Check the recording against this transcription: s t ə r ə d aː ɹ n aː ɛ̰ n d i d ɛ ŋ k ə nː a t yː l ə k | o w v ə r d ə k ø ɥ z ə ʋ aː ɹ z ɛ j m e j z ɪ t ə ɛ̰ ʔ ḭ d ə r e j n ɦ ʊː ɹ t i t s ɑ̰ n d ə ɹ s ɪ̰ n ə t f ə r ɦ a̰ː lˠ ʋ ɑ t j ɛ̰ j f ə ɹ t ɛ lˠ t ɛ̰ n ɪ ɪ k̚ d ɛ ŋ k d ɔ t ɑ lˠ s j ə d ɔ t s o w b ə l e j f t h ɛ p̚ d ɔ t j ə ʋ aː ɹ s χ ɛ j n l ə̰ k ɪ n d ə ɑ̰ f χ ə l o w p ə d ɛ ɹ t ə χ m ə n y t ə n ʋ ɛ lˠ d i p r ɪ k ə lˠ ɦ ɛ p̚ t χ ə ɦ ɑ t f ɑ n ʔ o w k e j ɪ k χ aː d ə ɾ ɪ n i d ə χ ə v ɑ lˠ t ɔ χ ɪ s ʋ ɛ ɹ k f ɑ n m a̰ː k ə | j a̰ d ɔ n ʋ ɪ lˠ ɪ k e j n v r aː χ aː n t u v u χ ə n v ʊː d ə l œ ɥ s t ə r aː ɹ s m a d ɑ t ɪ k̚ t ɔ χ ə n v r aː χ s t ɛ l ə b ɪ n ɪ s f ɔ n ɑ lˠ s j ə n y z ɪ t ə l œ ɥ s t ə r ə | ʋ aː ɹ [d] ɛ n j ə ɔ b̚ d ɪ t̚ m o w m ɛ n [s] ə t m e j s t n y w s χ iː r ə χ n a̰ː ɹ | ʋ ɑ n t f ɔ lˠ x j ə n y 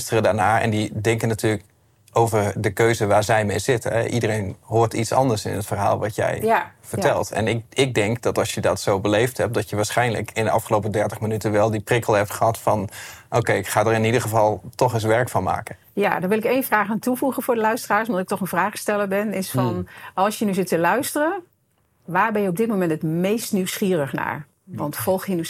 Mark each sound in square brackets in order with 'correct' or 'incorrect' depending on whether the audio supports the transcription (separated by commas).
incorrect, incorrect